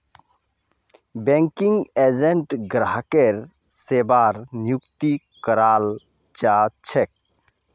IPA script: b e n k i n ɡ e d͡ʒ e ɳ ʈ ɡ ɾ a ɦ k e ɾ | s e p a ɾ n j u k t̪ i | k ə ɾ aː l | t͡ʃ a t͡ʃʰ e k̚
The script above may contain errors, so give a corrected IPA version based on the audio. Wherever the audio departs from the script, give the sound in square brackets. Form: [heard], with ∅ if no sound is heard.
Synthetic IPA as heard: b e [ŋ] k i [ŋ] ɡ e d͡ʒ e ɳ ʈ ɡ ɾ a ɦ k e ɾ | s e [b] a ɾ n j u k t̪ i | k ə ɾ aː l | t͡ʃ a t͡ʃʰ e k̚